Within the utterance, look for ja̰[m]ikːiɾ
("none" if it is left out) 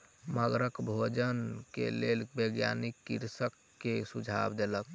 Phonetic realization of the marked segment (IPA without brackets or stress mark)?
n